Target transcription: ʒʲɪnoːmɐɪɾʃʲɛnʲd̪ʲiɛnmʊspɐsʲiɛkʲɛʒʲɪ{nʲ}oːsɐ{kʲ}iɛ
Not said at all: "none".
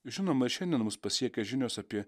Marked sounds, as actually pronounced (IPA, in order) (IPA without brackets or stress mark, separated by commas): nʲ, pʲ